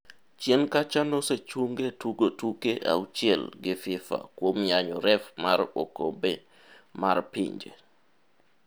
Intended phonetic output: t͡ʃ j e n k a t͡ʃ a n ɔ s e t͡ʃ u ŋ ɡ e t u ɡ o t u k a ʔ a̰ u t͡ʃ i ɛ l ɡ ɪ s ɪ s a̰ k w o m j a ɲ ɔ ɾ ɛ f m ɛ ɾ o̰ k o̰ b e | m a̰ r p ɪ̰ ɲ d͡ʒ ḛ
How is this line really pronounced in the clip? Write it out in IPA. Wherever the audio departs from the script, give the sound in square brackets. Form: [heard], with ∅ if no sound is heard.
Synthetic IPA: t͡ʃ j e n k a t͡ʃ a n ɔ s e t͡ʃ u ŋ ɡ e t u ɡ o t u k [e] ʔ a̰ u t͡ʃ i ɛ l ɡ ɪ [f] ɪ [f] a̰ k w o m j a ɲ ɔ ɾ ɛ f m [a] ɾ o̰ k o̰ b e | m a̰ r p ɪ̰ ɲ d͡ʒ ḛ